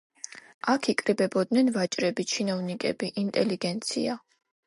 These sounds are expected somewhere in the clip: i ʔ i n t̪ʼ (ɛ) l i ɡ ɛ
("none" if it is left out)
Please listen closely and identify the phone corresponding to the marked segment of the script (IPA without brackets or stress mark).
ɛ